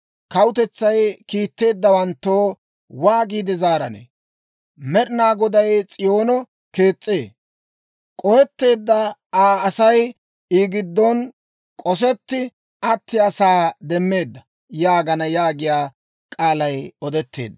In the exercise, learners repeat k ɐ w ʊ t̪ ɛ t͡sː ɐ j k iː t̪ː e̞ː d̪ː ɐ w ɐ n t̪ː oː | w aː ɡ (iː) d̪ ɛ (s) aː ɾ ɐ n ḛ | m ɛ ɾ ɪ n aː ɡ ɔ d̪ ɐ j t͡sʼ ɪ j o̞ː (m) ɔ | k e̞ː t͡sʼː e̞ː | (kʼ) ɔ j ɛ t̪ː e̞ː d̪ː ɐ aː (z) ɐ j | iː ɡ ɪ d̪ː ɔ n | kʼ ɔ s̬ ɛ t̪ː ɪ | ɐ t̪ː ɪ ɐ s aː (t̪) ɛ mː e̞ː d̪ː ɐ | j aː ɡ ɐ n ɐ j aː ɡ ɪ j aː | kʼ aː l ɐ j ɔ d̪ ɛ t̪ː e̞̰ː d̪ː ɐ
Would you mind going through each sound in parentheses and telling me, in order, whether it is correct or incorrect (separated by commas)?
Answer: correct, incorrect, incorrect, correct, incorrect, incorrect